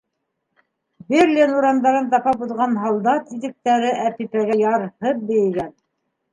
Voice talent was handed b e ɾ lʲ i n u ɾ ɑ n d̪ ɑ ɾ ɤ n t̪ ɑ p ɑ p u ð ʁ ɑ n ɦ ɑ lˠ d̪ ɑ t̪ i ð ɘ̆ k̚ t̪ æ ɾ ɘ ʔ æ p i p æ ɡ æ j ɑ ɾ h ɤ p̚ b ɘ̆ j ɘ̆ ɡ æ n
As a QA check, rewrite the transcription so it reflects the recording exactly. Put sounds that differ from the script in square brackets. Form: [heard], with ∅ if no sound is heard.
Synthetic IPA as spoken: b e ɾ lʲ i n u ɾ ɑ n d̪ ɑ ɾ ɤ n t̪ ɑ p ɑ p u ð ʁ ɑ n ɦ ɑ lˠ d̪ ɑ t̪ i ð ɘ̆ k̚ t̪ æ ɾ ɘ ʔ æ p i p æ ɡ æ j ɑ ɾ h ɤ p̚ b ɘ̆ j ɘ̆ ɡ æ n